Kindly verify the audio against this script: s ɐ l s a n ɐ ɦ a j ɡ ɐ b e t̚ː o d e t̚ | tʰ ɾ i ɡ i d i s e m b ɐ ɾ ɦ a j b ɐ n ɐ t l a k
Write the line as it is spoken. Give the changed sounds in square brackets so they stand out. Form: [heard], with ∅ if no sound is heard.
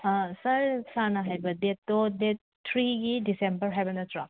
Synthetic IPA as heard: s ɐ [ɾ] s a n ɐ ɦ a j [b] ɐ [d] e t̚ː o d e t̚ | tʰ ɾ i ɡ i d i s e m b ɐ ɾ ɦ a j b ɐ n ɐ t [ɾ] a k